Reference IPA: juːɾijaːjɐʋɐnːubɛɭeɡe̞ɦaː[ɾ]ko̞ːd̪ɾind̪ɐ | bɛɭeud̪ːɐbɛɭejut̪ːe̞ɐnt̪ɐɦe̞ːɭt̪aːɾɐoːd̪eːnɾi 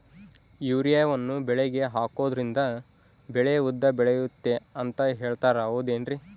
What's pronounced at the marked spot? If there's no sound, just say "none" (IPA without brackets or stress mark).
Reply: none